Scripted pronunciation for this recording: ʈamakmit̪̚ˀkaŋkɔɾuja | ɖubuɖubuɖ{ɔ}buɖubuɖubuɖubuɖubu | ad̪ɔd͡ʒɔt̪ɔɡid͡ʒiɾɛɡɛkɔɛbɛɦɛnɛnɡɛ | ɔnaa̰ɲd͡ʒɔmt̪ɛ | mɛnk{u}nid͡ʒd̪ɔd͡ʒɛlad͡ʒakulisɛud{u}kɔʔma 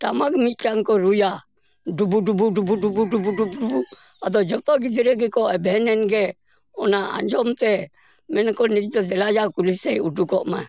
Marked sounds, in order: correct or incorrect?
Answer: incorrect, incorrect, correct

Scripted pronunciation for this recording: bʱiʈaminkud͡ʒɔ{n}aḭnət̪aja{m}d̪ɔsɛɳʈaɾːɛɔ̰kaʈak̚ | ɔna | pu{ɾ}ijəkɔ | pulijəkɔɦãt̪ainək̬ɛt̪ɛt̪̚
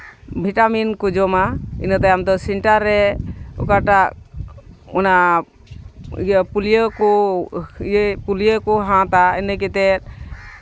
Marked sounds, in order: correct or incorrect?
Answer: incorrect, correct, incorrect

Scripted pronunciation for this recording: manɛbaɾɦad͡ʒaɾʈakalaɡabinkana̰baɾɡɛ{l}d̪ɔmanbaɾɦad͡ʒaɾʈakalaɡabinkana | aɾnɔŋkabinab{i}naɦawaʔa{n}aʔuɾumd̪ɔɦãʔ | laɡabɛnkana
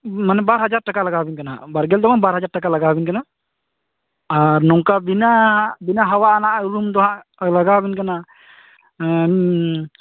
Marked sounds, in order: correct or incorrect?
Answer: correct, correct, correct

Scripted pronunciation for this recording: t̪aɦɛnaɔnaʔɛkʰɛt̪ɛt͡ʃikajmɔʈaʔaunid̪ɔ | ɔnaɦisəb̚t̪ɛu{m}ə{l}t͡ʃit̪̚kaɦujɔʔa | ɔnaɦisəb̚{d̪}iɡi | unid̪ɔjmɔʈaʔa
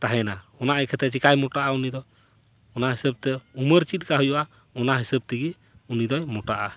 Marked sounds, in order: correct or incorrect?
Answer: correct, incorrect, incorrect

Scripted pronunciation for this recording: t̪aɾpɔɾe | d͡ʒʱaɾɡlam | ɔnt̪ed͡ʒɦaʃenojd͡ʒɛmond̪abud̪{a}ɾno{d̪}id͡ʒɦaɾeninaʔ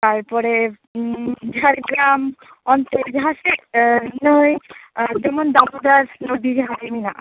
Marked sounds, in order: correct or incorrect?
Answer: correct, correct

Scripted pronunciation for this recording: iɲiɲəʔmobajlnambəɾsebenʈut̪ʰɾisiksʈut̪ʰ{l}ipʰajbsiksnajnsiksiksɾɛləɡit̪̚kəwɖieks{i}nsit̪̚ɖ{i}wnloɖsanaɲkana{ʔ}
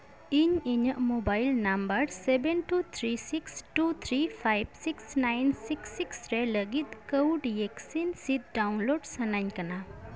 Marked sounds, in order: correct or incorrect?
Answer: incorrect, correct, incorrect, incorrect

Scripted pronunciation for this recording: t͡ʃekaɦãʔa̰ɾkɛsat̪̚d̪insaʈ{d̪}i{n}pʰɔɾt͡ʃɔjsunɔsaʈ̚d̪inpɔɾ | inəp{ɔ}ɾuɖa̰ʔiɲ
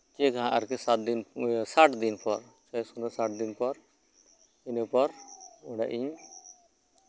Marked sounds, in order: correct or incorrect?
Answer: correct, correct, correct

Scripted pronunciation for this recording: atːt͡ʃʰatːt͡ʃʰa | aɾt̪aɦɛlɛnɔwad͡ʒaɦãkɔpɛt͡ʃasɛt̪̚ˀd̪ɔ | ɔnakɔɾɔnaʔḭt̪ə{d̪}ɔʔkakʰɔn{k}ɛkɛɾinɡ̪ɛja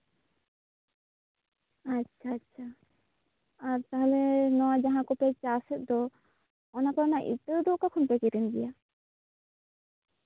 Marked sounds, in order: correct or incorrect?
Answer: correct, incorrect

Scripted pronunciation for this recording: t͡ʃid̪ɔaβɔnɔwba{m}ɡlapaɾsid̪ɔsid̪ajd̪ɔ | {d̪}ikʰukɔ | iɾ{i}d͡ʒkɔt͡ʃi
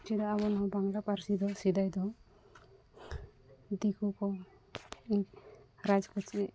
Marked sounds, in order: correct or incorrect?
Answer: incorrect, correct, incorrect

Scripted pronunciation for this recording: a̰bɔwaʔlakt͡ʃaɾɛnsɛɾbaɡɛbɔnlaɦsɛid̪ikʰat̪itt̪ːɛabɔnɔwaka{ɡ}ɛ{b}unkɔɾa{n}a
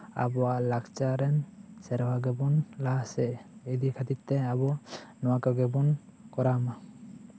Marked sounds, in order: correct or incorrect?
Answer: correct, correct, incorrect

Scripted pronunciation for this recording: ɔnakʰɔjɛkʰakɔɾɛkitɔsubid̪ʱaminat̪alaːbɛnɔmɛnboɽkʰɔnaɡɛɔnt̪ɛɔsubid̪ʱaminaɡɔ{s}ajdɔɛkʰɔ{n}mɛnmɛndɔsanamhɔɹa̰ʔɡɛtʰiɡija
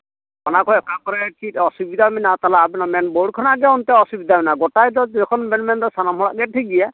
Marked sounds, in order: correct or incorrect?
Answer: incorrect, correct

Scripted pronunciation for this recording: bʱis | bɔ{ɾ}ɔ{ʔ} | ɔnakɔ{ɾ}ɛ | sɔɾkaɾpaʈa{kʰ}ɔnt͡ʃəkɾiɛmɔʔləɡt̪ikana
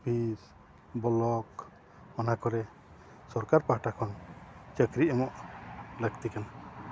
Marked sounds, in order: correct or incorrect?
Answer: incorrect, incorrect, correct, correct

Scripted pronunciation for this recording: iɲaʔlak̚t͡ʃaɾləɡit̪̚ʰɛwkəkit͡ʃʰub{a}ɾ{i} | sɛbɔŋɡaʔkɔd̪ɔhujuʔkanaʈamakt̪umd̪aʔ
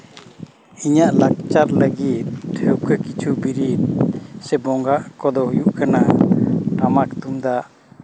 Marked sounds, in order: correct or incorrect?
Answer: incorrect, correct

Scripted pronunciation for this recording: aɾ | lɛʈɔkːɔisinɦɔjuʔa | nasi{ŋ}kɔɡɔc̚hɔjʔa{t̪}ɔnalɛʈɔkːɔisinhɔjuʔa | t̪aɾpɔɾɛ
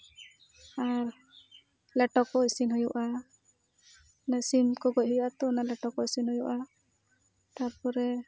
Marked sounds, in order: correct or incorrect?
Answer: incorrect, correct

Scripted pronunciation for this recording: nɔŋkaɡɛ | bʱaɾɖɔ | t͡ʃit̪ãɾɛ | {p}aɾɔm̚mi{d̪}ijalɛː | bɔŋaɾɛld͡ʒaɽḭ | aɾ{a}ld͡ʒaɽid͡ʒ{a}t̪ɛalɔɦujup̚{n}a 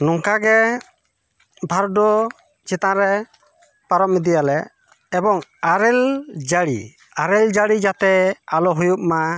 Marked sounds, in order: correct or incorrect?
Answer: correct, correct, incorrect, correct, incorrect

